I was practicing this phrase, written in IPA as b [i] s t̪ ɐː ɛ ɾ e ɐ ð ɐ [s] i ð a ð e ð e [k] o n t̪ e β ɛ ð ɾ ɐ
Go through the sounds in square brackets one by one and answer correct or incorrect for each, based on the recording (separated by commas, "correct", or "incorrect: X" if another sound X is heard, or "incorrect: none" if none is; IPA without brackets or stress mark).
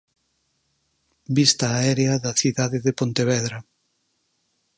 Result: correct, incorrect: θ, incorrect: p